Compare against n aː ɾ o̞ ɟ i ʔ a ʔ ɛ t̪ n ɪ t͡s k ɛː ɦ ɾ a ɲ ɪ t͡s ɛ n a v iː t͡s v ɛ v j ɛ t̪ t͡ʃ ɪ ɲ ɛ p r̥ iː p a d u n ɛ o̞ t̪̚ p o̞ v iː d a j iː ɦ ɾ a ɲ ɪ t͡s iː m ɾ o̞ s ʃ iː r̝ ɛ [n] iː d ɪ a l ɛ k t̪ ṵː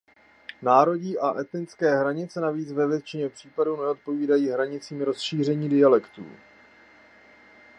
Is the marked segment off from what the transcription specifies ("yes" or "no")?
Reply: yes